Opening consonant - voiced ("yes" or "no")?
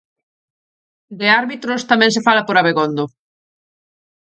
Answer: yes